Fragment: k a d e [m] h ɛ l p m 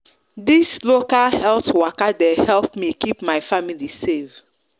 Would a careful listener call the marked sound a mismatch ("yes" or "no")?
yes